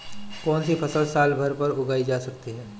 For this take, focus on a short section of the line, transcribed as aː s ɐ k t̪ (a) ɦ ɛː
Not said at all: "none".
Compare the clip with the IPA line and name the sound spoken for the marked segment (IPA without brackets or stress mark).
i